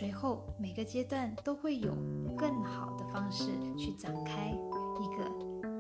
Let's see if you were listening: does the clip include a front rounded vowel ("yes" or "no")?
yes